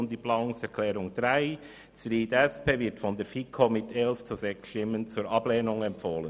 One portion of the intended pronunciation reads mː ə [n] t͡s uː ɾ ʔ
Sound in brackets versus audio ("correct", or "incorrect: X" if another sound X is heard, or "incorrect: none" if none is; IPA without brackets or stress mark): correct